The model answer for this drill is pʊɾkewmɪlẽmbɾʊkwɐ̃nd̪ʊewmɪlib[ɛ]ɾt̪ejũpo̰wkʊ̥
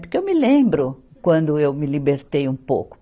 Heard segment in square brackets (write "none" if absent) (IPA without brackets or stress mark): e